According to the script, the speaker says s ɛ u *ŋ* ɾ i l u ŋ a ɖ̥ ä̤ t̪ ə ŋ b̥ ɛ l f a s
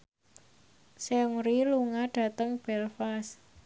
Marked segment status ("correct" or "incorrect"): correct